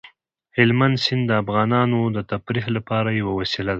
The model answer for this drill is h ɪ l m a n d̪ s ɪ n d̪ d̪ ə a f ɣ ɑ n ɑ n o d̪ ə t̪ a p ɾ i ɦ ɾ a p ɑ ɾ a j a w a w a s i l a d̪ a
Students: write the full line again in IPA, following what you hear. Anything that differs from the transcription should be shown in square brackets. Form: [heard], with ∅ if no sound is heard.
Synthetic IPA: h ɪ l m a n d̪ s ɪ n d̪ d̪ ə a f ɣ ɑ n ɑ n o d̪ ə t̪ a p ɾ i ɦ [l] a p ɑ ɾ a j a w a w a s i l a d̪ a

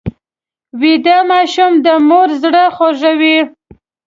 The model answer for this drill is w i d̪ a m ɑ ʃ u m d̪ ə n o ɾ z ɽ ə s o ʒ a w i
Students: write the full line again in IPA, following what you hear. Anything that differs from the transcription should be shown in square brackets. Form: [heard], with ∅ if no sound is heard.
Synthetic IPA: w i d̪ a m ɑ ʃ u m d̪ ə [m] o ɾ z ɽ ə [x] o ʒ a w i

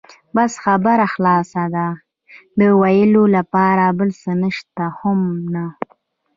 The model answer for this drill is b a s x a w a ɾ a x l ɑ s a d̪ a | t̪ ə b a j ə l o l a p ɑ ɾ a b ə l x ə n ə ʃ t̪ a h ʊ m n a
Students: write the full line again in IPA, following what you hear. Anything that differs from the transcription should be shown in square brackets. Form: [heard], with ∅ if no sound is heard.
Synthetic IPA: b a s x a [b] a ɾ a x l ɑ s a d̪ a | [d̪] ə [w] a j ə l o l a p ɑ ɾ a b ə l [s] ə n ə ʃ t̪ a h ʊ m n a

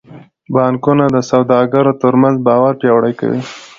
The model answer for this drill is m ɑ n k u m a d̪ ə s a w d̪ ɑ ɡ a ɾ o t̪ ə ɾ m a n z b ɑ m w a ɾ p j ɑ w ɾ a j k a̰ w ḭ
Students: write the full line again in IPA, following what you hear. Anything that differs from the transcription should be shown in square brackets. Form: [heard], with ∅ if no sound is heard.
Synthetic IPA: [b] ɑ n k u [n] a d̪ ə s a w d̪ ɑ ɡ a ɾ o t̪ ə ɾ m a n z b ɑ [∅] w a ɾ p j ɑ w [ɽ] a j k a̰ w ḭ

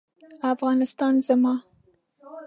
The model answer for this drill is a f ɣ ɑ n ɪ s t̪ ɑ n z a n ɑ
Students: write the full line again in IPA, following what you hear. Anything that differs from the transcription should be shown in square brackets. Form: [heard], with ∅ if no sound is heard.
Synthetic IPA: a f ɣ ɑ n ɪ s t̪ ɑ n z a [m] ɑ

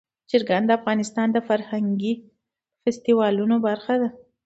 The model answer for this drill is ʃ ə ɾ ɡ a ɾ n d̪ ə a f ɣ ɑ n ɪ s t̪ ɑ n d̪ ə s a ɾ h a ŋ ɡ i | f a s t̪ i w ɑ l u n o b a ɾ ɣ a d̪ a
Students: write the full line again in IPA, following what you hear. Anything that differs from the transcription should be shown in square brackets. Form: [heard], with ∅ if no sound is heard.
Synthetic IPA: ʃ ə ɾ ɡ a [∅] n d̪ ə a f ɣ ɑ n ɪ s t̪ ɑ n d̪ ə [f] a ɾ h a ŋ ɡ i | f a s t̪ i w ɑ l u n o b a ɾ [x] a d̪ a

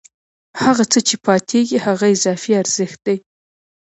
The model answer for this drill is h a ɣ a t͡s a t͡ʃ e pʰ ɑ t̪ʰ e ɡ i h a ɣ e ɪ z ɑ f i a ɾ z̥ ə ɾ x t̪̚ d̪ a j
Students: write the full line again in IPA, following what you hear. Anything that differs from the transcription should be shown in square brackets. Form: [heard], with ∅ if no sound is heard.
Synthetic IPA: h a ɣ a t͡s [ə] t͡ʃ e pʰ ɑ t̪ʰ e ɡ i h a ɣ [a] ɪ z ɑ f i a ɾ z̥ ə [∅] x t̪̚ d̪ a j

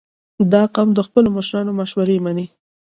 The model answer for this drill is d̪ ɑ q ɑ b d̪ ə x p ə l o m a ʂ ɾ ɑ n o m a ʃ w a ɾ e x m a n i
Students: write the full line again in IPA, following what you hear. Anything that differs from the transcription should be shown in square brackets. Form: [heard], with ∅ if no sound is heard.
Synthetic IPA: d̪ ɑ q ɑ [m] d̪ ə x p ə l o m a [ʃ] ɾ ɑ n o m a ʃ w a ɾ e [∅] m a n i

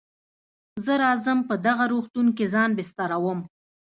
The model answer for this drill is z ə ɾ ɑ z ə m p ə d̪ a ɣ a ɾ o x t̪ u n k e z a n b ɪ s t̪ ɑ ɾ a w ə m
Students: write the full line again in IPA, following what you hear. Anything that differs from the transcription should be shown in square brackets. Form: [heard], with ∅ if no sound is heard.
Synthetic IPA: z ə ɾ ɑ z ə m p ə d̪ a ɣ a ɾ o x t̪ u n k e z [ɑ] n b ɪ s t̪ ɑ ɾ a w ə m

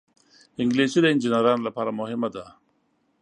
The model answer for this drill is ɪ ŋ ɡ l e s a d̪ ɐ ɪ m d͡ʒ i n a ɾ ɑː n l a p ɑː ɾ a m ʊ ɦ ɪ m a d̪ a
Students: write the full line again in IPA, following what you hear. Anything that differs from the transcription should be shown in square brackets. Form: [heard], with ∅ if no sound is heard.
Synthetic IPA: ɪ ŋ ɡ l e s [i] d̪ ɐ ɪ [n] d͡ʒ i n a ɾ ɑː n l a p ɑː ɾ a m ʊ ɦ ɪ m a d̪ a

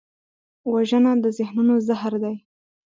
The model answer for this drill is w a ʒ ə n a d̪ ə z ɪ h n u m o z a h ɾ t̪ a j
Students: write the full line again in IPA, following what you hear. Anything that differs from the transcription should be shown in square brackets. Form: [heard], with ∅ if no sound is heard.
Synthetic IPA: w a ʒ ə n a d̪ ə z ɪ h n u [n] o z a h ɾ [d̪] a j

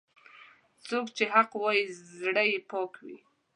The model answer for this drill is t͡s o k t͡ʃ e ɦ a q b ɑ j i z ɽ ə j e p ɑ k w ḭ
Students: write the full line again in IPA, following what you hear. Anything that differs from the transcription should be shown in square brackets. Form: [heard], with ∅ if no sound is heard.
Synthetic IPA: t͡s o k t͡ʃ e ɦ a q [w] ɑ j i z ɽ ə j e p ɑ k w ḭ

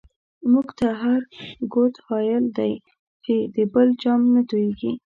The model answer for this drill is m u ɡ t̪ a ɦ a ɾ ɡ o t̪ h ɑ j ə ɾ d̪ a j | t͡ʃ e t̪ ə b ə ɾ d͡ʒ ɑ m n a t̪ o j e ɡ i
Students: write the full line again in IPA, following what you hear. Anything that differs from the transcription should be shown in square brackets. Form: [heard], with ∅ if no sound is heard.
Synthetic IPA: m u ɡ t̪ a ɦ a ɾ ɡ o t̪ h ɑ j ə [l] d̪ a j | t͡ʃ e [d̪] ə b ə [l] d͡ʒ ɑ m n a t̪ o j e ɡ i

